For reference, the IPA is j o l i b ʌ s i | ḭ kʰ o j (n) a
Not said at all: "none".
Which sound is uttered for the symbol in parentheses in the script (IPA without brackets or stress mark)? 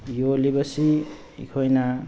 n